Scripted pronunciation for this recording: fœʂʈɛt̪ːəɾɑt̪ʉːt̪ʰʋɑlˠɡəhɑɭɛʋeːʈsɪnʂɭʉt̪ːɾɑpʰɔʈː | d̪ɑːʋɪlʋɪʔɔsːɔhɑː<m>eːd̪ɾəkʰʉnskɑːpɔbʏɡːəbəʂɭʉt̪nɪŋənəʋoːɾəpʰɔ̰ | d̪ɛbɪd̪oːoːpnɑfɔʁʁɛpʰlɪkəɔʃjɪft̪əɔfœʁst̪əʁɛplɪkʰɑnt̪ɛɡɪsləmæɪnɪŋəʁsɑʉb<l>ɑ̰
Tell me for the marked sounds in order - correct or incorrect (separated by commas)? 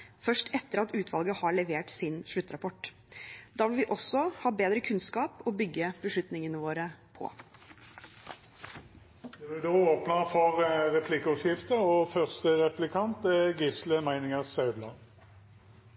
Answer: incorrect, correct